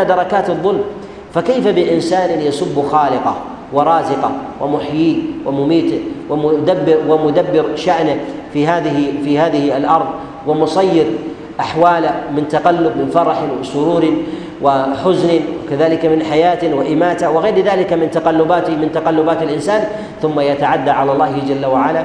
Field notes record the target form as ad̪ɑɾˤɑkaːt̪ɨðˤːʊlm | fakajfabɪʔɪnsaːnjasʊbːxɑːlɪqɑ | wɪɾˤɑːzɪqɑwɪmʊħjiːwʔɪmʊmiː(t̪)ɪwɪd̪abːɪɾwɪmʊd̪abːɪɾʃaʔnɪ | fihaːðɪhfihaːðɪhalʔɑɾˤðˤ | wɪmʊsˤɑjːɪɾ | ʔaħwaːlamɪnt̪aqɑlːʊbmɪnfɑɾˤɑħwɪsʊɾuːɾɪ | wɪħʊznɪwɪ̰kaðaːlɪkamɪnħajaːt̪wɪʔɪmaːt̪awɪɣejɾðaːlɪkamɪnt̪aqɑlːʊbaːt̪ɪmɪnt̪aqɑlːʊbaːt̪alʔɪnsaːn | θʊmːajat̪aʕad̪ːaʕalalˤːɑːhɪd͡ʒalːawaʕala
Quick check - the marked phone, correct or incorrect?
correct